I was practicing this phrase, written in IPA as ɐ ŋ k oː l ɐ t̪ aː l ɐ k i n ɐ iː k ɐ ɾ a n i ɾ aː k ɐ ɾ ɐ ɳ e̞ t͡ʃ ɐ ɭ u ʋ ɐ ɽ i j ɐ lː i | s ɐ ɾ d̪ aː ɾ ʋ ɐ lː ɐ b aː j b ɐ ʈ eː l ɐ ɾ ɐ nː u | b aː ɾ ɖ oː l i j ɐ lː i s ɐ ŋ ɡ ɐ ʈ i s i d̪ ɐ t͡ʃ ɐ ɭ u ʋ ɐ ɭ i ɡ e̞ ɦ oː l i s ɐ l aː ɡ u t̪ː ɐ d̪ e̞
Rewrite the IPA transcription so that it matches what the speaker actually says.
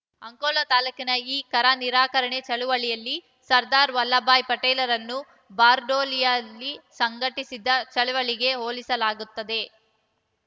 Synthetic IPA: ɐ ŋ k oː l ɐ t̪ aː l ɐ k i n ɐ iː k ɐ ɾ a n i ɾ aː k ɐ ɾ ɐ ɳ e̞ t͡ʃ ɐ ɭ u ʋ ɐ ɭ i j ɐ lː i | s ɐ ɾ d̪ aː ɾ ʋ ɐ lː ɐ b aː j p ɐ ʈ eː l ɐ ɾ ɐ nː u | b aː ɾ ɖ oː l i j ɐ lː i s ɐ ŋ ɡ ɐ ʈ i s i d̪ ɐ t͡ʃ ɐ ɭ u ʋ ɐ ɭ i ɡ e̞ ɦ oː l i s ɐ l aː ɡ u t̪ː ɐ d̪ e̞